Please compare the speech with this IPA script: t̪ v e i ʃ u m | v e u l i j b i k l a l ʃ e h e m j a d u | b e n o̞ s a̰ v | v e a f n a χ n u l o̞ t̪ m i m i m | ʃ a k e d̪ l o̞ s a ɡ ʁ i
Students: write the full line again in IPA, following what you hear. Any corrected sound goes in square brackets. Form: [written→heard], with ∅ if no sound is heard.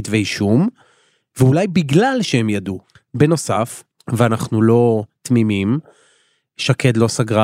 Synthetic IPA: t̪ v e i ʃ u m | v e u l [i→a] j b i [k→ɡ] l a l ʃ e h e m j a d u | b e n o̞ s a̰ [v→f] | v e a [f→∅] n a χ n u l o̞ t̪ m i m i m | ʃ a k e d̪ l o̞ s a ɡ ʁ [i→a]